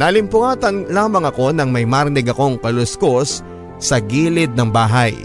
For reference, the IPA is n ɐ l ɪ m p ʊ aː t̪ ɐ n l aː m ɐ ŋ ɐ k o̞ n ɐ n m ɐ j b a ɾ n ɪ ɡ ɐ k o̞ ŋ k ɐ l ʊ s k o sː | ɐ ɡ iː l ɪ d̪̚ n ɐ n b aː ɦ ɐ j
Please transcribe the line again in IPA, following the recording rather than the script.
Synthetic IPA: n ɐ l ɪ m p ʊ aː t̪ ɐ n l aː m ɐ ŋ ɐ k o̞ n ɐ ŋ m ɐ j m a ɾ n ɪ ɡ ɐ k o̞ ŋ k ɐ l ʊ s k o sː | ɐ ɡ iː l ɪ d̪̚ n ɐ ŋ b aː ɦ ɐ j